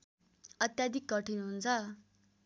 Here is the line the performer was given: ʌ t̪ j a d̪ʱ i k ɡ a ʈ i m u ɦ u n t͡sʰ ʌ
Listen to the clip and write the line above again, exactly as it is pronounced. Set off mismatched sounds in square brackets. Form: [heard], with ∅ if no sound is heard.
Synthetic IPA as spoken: ʌ t̪ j a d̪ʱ i k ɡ [ʌ] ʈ i [n] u ɦ u n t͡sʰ ʌ